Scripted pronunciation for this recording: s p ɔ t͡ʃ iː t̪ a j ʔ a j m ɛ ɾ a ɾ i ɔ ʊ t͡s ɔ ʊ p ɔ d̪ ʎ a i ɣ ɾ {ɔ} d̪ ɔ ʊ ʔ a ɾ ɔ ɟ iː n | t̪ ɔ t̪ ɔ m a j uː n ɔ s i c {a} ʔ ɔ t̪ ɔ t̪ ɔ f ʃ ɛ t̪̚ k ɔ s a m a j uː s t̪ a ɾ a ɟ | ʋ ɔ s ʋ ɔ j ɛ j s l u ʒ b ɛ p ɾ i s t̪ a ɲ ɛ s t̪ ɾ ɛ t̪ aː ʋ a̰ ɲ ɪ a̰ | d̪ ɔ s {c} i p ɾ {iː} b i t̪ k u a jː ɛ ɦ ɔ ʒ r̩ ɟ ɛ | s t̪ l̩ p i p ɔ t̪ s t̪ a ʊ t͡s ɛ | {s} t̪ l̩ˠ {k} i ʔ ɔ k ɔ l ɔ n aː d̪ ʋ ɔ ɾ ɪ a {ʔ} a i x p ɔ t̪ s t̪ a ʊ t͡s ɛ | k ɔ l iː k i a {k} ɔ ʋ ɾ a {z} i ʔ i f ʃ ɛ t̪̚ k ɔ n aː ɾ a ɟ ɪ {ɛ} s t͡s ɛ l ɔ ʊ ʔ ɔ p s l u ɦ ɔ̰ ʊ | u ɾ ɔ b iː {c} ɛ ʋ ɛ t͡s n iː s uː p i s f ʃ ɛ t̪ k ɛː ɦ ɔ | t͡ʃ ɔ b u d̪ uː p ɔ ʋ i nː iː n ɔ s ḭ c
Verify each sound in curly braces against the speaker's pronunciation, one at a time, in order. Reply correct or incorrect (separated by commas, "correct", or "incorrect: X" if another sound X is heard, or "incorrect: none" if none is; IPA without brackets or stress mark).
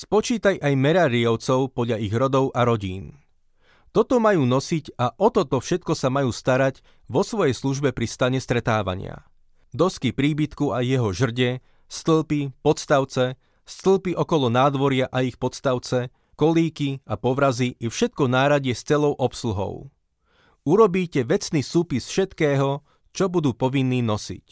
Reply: correct, correct, incorrect: k, correct, correct, incorrect: p, correct, incorrect: p, correct, correct, correct